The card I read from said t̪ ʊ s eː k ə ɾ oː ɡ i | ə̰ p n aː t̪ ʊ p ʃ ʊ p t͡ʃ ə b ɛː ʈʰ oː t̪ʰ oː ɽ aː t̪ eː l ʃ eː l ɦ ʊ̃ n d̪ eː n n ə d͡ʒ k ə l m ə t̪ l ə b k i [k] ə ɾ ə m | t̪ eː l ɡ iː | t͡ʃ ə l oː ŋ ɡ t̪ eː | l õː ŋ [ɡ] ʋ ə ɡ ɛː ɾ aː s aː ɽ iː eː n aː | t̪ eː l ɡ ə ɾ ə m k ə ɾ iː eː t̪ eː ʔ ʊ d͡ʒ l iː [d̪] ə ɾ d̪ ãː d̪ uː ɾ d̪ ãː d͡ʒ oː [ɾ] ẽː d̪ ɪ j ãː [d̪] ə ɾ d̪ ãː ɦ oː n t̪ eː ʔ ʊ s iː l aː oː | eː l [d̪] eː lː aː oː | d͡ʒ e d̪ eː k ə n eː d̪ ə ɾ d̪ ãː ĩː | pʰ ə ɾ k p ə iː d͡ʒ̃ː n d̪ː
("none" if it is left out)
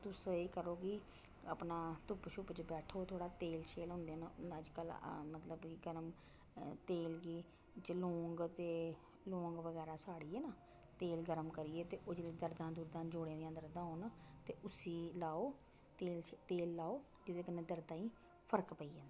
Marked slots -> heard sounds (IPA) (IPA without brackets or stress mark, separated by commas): ɡ, ɡ, d̪, ɽ, d̪, t̪